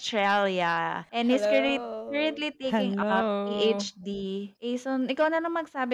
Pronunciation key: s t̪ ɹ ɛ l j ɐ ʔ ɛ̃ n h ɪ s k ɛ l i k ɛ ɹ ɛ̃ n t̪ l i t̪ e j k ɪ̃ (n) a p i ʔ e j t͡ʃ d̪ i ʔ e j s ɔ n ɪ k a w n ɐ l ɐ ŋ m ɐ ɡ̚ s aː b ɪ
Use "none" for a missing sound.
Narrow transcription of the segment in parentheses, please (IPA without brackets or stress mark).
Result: ŋ